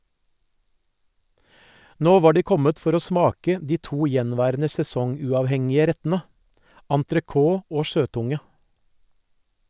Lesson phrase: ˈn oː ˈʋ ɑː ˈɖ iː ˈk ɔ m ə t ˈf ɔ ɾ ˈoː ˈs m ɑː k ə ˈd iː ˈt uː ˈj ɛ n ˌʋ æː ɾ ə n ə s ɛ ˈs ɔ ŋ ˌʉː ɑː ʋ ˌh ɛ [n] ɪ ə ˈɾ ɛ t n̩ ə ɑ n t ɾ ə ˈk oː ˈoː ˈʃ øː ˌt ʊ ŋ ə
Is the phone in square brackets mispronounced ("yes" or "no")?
yes